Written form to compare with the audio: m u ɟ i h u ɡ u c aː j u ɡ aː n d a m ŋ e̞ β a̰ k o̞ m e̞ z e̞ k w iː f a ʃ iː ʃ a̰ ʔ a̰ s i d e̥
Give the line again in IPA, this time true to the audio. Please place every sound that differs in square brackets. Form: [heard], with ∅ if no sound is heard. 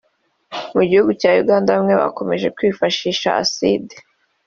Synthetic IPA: m u ɟ i h u ɡ u c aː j u ɡ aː n d a m ŋ e̞ β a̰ k o̞ m e̞ [ʒ] e̞ k w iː f a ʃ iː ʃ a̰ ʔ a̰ s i d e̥